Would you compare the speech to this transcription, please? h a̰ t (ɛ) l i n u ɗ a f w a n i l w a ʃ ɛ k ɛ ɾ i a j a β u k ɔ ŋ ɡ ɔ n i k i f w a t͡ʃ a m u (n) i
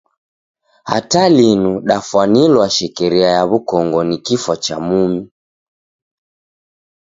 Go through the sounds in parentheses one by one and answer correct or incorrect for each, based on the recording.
incorrect: a, incorrect: m

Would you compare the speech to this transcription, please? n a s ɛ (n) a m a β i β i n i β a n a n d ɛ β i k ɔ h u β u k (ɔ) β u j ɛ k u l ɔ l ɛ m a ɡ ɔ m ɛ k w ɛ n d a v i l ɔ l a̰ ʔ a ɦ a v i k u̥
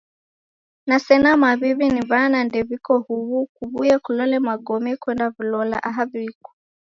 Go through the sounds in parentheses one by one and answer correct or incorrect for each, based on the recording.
correct, incorrect: u

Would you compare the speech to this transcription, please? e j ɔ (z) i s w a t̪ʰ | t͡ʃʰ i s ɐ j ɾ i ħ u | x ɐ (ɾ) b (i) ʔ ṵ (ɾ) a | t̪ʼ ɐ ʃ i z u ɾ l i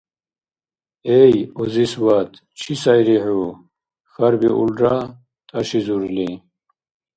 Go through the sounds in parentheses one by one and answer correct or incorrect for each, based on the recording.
correct, correct, correct, incorrect: l

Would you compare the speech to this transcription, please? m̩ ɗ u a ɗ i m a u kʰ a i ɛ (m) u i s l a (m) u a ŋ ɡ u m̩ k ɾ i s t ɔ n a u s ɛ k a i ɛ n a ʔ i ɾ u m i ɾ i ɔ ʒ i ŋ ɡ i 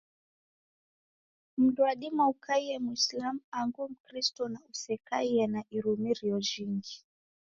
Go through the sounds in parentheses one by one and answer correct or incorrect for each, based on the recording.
correct, correct

